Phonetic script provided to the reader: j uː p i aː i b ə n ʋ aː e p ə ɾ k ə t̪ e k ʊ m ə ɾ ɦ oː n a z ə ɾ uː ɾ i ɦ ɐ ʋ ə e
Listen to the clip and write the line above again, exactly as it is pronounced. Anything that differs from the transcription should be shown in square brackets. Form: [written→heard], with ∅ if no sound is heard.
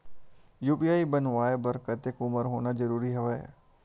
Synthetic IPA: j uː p i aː i b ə n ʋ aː e [p→b] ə ɾ k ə t̪ e k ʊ m ə ɾ ɦ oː n a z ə ɾ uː ɾ i ɦ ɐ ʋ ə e